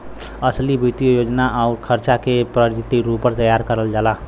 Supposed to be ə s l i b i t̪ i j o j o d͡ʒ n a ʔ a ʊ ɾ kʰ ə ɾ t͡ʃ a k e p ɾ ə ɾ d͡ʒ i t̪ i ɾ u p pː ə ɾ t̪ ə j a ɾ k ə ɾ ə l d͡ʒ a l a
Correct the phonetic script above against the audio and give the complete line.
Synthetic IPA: ə s l i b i t̪ i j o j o d͡ʒ n a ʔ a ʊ ɾ kʰ ə ɾ t͡ʃ a k e p ɾ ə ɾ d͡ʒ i t̪ i ɾ u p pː ə ɾ t̪ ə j a ɾ k ə ɾ ə l d͡ʒ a l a